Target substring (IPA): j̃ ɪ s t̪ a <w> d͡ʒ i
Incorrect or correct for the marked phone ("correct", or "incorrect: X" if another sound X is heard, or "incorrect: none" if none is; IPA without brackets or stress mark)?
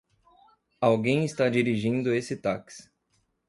incorrect: none